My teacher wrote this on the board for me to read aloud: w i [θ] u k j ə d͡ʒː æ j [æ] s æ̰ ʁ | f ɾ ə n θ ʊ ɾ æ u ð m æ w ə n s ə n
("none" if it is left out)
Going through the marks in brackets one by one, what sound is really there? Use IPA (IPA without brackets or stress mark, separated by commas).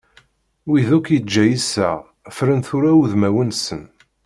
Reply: ð, i